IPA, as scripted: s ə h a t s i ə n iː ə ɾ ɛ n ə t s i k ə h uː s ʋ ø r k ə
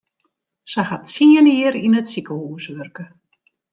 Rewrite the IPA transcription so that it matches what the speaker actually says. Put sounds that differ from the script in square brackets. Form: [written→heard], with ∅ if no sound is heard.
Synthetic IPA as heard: s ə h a t s i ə n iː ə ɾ [ɛ→i] n ə t s i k ə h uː s ʋ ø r k ə